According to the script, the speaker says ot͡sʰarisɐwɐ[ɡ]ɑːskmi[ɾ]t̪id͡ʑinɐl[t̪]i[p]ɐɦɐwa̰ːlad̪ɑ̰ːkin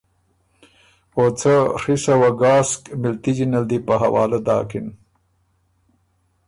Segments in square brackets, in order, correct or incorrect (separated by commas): correct, incorrect, incorrect, correct